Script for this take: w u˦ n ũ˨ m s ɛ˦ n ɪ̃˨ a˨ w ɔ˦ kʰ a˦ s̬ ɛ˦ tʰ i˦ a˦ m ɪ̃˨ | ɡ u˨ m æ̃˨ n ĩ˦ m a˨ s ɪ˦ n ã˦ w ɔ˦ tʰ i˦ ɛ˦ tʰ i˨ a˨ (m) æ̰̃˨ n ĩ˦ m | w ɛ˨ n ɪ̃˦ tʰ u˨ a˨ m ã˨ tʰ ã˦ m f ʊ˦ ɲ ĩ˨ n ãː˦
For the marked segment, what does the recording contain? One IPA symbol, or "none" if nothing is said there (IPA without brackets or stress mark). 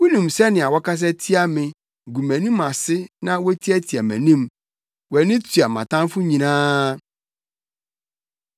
m